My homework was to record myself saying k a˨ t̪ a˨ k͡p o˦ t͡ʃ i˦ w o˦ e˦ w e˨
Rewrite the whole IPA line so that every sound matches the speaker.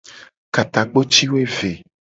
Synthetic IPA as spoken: k a˨ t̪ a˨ k͡p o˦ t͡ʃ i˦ w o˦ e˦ v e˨